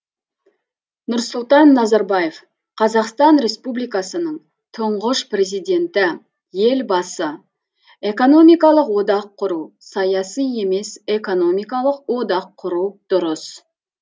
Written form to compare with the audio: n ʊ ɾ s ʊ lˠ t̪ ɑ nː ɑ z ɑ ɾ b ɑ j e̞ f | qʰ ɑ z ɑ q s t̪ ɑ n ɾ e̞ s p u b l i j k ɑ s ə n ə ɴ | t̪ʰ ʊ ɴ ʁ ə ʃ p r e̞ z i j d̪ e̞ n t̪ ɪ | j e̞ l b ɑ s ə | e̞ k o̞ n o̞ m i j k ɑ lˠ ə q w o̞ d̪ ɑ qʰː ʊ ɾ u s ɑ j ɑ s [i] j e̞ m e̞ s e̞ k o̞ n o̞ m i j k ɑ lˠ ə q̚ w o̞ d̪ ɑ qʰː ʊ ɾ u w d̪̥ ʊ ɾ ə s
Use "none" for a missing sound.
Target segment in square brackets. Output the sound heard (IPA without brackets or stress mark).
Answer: i